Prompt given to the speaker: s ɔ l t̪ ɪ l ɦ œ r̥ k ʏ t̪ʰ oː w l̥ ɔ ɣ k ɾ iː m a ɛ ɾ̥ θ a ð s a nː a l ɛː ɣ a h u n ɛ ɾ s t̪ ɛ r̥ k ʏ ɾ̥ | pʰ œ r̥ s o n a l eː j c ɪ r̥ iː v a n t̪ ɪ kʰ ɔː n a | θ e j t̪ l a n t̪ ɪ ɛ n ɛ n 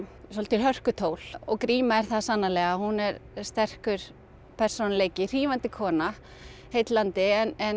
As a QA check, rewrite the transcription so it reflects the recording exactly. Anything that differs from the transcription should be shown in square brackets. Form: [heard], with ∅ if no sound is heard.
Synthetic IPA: s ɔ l t̪ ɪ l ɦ œ r̥ k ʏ t̪ʰ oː w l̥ ɔ ɣ k ɾ iː m a ɛ ɾ̥ θ a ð s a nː a l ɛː ɣ a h u n ɛ ɾ s t̪ ɛ r̥ k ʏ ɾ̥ | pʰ [ɛ] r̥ s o n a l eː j c ɪ r̥ iː v a n t̪ ɪ kʰ ɔː n a | [h] e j t̪ l a n t̪ ɪ ɛ n ɛ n